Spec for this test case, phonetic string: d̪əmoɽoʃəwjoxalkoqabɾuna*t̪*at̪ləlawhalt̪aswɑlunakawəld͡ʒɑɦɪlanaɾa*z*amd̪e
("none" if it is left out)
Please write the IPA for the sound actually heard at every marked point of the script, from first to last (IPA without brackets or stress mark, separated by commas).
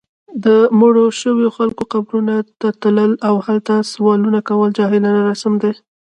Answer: t̪, s